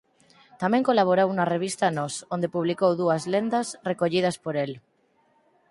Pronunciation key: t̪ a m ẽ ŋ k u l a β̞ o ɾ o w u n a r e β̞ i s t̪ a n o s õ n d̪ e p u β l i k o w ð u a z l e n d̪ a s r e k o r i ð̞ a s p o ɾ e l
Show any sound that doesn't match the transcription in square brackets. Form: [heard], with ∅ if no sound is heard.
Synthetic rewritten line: t̪ a m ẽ ŋ k [o] l a β̞ o ɾ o w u n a r e β̞ i s t̪ a n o s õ n d̪ e p u β l i k o w ð u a z l e n d̪ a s r e k o [ʎ] i ð̞ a s p o ɾ e l